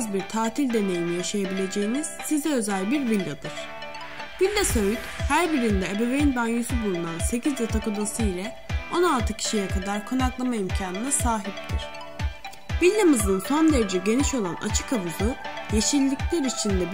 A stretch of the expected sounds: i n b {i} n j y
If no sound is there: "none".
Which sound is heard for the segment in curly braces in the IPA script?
a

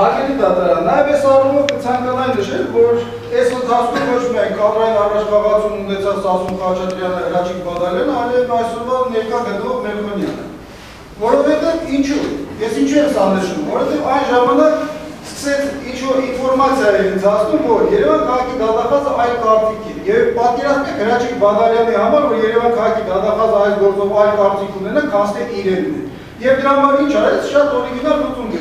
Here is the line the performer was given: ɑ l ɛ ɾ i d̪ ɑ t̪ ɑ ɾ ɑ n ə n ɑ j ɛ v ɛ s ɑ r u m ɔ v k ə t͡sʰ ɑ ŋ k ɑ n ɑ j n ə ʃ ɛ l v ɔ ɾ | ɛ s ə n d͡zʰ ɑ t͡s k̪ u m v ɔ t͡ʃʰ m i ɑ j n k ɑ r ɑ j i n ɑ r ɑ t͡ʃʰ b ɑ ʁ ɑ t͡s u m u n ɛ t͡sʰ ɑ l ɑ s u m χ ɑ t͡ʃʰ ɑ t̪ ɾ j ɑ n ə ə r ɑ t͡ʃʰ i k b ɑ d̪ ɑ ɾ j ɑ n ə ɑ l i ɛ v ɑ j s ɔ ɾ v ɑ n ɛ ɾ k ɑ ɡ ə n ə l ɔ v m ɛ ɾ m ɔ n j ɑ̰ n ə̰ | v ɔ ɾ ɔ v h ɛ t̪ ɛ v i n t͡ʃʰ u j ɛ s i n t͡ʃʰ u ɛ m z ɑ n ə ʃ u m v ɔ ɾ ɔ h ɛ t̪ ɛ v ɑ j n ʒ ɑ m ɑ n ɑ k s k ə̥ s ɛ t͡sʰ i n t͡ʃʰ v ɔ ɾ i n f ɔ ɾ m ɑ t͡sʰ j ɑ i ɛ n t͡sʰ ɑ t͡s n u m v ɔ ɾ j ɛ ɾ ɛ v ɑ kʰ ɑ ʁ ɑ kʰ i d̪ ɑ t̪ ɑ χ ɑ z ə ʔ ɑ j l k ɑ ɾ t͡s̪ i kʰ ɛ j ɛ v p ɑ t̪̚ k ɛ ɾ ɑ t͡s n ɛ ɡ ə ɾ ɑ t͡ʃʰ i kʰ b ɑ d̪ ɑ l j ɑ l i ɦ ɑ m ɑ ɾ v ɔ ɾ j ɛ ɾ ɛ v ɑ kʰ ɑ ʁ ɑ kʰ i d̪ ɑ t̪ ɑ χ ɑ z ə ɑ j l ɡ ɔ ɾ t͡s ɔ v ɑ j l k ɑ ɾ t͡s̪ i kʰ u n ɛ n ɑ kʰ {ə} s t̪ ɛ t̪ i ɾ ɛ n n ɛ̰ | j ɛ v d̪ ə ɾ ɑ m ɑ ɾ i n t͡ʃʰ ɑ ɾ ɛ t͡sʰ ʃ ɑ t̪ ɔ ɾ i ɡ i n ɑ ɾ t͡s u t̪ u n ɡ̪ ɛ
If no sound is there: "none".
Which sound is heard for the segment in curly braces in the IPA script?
ɑ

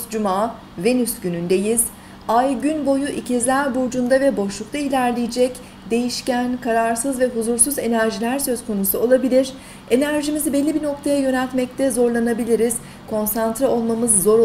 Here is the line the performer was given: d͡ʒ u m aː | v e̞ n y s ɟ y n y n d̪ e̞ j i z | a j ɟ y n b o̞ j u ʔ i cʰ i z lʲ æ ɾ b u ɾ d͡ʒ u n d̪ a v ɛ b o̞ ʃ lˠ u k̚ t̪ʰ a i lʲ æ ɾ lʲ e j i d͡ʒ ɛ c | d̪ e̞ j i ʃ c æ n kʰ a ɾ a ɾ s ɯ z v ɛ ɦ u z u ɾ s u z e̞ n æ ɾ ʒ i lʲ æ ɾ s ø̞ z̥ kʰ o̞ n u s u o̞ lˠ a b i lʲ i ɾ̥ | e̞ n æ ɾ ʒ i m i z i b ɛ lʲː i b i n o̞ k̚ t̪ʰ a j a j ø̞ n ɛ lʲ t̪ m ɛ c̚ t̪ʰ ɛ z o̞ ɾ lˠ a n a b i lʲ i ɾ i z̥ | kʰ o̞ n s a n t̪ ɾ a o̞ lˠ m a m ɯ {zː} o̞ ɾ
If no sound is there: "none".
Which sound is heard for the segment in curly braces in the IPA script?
zː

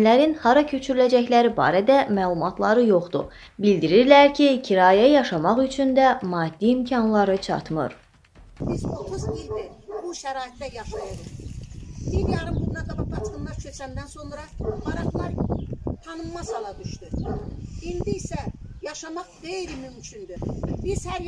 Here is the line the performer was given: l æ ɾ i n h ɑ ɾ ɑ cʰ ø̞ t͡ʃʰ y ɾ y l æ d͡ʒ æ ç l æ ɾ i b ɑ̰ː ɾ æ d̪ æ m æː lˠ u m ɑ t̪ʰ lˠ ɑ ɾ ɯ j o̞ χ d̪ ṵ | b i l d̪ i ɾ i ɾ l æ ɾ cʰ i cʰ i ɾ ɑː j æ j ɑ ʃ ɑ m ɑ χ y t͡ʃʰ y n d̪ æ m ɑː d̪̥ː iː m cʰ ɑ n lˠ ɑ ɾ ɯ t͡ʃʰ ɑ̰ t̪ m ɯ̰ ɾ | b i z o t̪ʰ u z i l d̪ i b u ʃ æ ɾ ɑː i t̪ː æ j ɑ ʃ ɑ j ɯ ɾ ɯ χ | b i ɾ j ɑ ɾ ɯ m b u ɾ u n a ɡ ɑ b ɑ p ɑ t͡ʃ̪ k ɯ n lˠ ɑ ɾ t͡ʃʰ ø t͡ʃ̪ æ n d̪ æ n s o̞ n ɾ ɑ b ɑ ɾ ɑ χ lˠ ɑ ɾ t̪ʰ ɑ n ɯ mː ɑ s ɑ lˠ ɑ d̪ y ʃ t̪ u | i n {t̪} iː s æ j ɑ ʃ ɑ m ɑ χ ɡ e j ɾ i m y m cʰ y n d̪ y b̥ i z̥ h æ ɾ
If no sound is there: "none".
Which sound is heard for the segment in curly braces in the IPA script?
d̪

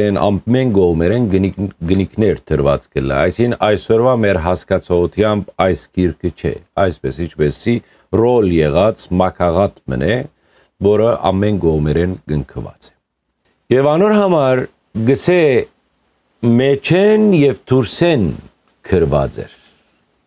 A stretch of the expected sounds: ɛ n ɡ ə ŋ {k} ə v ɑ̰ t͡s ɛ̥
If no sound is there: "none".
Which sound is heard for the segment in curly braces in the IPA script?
kʰ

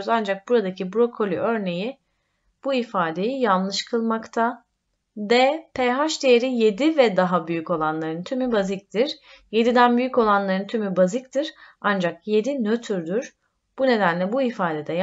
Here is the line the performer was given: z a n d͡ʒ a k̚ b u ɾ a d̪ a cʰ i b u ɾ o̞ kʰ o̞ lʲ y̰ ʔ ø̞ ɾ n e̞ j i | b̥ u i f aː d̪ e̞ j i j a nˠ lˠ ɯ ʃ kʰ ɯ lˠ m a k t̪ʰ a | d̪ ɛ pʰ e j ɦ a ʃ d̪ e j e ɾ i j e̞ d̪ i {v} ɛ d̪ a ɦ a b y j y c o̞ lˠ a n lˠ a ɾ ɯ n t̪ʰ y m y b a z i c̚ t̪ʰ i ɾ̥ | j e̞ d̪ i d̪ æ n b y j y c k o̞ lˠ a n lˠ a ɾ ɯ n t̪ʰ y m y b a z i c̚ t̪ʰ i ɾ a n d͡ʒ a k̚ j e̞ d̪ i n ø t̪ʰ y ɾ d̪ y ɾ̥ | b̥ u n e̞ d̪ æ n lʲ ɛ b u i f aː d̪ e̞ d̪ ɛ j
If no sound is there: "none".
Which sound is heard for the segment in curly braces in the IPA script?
v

